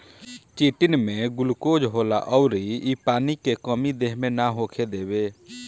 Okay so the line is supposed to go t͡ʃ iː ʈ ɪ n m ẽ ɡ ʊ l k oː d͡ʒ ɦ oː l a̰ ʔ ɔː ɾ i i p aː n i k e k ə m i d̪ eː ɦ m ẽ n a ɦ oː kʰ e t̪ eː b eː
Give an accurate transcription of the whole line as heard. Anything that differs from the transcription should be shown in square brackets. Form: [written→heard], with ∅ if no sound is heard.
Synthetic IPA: t͡ʃ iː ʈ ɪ n m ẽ ɡ ʊ l k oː d͡ʒ ɦ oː l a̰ ʔ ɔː ɾ i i p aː n i k e k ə m i d̪ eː ɦ m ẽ n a ɦ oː kʰ e [t̪→d̪] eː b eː